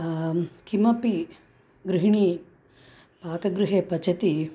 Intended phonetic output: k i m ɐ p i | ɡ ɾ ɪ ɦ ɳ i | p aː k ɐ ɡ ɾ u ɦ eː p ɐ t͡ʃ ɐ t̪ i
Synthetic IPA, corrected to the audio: k i m ɐ p i | ɡ ɾ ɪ ɦ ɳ i | p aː k ɐ ɡ ɾ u ɦ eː p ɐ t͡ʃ ɐ t̪ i